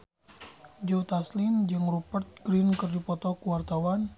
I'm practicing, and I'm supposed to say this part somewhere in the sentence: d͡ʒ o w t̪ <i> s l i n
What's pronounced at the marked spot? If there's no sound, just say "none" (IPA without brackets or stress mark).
a